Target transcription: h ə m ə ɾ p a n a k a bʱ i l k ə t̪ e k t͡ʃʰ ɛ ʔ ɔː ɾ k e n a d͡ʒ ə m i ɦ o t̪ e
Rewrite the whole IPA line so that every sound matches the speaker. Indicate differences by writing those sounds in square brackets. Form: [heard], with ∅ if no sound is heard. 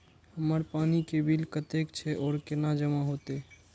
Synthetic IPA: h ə m ə ɾ p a n [i] k [e] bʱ i l k ə t̪ e k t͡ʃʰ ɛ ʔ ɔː ɾ k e n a d͡ʒ ə m [a] ɦ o t̪ e